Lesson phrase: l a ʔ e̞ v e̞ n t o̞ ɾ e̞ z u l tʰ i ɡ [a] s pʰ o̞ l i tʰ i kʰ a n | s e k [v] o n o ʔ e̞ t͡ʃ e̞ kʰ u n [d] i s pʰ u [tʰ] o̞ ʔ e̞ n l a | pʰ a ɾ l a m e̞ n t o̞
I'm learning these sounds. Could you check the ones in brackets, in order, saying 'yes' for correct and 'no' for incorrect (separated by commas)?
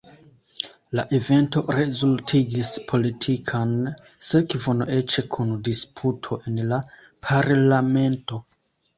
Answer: no, yes, yes, yes